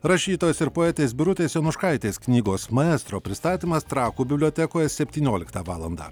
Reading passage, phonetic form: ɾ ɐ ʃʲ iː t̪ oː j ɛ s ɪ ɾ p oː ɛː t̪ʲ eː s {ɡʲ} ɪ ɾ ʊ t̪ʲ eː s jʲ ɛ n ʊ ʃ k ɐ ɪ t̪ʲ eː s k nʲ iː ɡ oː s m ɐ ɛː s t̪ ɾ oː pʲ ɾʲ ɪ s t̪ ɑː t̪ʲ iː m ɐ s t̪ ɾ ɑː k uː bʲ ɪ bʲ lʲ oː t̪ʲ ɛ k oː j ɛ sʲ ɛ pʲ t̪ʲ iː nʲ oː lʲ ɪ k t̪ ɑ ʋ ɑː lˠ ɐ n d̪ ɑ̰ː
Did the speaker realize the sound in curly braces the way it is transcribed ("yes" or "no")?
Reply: no